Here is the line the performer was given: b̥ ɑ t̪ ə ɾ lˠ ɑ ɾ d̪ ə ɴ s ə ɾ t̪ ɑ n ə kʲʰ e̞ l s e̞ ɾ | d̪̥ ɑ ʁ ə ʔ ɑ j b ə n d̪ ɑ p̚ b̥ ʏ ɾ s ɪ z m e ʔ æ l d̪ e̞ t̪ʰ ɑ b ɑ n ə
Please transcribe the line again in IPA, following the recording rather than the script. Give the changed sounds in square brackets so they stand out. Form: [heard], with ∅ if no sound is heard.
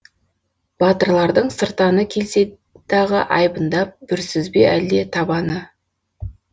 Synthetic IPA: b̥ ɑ t̪ ə ɾ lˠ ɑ ɾ d̪ ə ɴ s ə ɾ t̪ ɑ n ə kʲʰ e̞ l s e̞ [∅] | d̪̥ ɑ ʁ ə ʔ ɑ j b ə n d̪ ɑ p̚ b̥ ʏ ɾ s ɪ z [b] e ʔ æ l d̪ e̞ t̪ʰ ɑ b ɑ n ə